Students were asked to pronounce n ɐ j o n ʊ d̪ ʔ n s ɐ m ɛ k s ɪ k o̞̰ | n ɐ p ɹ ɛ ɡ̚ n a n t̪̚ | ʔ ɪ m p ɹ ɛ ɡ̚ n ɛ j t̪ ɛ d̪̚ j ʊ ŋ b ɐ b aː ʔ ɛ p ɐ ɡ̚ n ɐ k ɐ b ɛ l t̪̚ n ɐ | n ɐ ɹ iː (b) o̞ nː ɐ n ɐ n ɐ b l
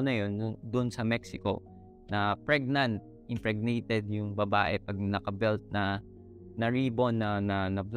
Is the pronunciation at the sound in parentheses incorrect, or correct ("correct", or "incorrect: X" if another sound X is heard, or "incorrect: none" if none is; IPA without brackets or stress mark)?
correct